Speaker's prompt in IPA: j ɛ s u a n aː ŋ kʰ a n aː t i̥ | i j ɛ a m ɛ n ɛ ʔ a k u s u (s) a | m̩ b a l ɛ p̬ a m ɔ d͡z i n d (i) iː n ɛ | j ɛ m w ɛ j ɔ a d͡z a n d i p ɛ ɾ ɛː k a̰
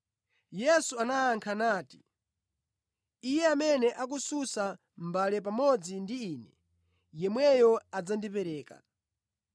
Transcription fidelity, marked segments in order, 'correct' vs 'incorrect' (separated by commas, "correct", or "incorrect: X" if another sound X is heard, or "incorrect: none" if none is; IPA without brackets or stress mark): correct, correct